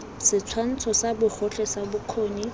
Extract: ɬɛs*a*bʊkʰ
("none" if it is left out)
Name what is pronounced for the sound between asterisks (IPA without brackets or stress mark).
a